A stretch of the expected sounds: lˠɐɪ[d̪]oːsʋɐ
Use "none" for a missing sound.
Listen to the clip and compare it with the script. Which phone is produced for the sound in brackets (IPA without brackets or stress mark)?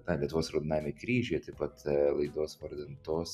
d̪